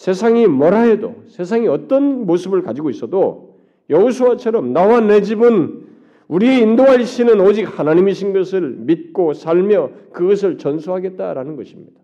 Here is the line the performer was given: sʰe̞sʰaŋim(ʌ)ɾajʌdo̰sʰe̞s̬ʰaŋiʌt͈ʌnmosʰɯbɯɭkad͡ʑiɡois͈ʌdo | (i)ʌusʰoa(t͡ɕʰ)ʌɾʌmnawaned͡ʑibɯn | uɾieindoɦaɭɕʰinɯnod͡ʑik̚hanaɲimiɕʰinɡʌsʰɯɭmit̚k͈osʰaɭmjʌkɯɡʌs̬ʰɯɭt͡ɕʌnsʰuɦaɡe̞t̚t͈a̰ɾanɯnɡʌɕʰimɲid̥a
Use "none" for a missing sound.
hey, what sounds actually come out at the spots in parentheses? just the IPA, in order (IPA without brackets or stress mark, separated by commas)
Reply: ʌ, j, t͡ɕʰ